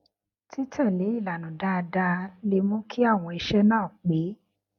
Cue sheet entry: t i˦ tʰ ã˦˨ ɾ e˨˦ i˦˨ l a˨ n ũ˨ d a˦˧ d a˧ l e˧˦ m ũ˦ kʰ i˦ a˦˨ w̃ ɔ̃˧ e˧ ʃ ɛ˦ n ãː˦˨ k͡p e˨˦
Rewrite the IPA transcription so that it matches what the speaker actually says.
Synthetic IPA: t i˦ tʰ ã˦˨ l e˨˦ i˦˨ l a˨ n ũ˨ d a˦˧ d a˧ l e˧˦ m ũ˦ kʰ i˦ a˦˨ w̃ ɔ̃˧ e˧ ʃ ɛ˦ n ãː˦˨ k͡p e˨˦